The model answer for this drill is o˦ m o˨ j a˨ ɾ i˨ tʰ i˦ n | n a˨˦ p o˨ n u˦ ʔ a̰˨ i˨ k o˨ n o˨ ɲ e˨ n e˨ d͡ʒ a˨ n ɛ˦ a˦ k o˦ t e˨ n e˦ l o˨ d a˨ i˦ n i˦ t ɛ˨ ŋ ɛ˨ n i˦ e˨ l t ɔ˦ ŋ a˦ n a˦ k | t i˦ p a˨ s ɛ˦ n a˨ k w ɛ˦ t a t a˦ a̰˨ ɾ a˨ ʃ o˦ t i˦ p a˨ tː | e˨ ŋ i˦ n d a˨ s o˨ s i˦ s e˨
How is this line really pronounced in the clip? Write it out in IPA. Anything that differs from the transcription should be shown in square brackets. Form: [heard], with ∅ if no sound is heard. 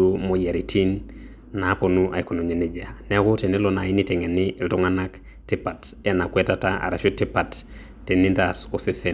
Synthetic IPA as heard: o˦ m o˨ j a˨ ɾ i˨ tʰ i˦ n | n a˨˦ p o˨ n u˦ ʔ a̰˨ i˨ k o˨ n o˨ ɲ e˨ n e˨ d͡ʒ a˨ n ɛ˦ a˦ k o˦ t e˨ n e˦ l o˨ [n] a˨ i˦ n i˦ t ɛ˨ ŋ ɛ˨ n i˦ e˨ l t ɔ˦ ŋ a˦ n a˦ k | t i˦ p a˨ [t] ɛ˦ n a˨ k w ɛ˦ t a t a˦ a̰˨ ɾ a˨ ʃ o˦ t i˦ p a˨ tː | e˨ [n] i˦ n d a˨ s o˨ s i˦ s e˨

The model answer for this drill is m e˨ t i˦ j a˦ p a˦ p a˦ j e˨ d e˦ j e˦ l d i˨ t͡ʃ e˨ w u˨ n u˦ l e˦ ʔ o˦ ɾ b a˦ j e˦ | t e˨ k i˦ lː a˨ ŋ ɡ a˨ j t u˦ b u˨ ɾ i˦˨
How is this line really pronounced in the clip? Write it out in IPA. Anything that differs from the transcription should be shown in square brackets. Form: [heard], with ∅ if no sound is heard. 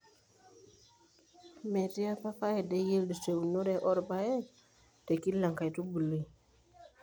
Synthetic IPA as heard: m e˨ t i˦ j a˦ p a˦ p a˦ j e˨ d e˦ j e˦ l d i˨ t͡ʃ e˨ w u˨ n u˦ [ɾ] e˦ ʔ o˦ ɾ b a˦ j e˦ | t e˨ k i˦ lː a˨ ŋ [k] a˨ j t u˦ b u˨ [l] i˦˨

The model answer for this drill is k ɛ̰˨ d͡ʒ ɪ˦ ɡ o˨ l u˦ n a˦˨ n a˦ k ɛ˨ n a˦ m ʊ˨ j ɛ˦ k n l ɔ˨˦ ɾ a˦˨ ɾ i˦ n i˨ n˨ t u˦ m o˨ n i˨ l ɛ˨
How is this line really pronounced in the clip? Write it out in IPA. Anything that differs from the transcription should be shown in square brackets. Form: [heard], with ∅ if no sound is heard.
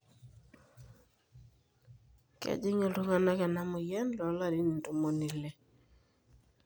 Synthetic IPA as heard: k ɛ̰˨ d͡ʒ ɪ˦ [ŋ] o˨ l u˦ [ŋ] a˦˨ n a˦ k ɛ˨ n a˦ m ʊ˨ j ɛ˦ [∅] n l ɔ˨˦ [l] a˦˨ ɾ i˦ n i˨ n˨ t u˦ m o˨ n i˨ l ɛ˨

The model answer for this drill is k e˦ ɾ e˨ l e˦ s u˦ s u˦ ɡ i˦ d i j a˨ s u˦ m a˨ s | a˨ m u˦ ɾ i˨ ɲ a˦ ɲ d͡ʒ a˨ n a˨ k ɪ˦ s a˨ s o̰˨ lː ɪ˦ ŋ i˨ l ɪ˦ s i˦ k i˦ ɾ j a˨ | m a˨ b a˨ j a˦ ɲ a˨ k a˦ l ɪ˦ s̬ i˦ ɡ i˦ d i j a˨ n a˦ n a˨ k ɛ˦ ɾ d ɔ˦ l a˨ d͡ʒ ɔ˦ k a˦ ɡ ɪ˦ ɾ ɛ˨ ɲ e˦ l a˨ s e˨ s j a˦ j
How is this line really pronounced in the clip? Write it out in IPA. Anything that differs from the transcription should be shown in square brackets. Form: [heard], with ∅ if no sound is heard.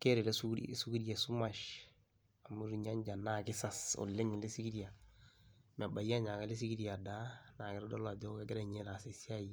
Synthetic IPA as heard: k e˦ ɾ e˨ l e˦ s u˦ s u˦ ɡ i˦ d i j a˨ s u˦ m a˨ [ʃ] | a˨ m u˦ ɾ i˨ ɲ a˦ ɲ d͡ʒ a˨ n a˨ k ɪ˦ s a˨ s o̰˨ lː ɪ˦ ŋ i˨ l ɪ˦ s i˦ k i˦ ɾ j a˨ | m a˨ b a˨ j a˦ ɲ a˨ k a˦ l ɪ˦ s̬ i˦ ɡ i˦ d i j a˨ [d] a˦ n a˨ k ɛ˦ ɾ d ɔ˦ l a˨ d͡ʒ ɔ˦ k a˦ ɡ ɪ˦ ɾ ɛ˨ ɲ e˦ l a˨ s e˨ s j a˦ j

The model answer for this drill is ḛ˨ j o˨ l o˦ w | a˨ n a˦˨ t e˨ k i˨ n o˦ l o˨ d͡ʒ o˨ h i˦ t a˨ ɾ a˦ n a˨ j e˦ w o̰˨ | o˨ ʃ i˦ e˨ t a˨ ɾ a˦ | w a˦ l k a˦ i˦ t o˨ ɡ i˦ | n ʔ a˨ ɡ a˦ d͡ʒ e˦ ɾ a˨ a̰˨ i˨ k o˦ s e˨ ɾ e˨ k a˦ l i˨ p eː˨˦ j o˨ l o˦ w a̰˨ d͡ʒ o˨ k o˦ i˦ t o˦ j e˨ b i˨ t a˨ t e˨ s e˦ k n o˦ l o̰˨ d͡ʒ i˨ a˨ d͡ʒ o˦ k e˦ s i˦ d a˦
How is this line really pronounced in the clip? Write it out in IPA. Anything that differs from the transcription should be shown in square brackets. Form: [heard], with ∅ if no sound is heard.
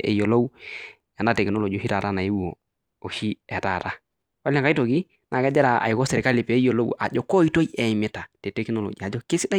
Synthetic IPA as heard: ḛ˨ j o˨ l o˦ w | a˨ n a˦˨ t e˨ k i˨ n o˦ l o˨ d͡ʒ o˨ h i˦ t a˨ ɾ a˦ n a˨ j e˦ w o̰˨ | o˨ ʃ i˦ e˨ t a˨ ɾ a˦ | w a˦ l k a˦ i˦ t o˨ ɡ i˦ | n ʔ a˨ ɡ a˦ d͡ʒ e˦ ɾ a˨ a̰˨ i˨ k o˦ s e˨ ɾ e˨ k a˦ l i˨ p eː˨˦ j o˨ l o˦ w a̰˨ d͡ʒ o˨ k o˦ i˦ t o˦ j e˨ [m] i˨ t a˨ t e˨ [t] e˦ k n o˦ l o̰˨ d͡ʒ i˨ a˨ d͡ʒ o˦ k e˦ s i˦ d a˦

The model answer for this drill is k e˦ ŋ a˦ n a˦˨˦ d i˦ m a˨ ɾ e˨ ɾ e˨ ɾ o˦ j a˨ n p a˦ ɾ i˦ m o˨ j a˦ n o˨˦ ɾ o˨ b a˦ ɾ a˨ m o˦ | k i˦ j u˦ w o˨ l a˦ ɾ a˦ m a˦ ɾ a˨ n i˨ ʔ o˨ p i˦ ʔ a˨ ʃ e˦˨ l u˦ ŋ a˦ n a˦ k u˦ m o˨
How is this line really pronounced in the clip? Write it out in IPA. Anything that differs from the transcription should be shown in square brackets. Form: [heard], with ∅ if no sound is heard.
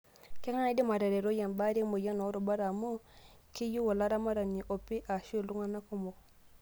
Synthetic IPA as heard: k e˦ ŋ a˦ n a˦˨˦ d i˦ m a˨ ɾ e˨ ɾ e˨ ɾ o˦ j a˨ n [b] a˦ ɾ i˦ m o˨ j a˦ n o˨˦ ɾ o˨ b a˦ ɾ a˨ m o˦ | k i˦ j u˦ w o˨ l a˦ ɾ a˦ m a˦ ɾ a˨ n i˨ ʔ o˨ p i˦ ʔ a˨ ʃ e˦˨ l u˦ ŋ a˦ n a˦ k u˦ m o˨

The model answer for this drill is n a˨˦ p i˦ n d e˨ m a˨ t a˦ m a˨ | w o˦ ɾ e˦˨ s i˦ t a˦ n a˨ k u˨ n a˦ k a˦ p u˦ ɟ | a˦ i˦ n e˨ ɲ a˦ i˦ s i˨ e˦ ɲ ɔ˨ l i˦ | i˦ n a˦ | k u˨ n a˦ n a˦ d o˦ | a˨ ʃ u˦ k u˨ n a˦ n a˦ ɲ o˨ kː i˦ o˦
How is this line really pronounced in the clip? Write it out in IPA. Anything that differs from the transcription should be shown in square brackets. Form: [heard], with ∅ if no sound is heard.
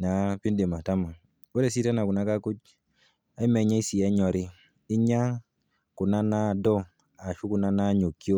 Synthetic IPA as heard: n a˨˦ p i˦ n d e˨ m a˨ t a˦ m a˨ | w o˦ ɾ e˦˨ s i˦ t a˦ n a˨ k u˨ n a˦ k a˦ [k] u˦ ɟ | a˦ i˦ [m] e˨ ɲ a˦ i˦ s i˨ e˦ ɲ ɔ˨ [ɾ] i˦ | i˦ [ɲ] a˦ | k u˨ n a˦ n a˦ d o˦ | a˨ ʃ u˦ k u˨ n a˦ n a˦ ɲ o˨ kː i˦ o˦

